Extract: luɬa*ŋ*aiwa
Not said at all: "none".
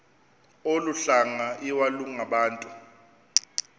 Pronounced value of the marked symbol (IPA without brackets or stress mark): ŋ